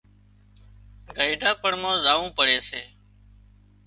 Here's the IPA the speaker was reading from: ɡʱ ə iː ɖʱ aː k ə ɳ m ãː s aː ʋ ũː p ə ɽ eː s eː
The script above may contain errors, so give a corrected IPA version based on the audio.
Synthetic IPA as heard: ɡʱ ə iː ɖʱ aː p ə ɳ m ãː z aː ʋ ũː p ə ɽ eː s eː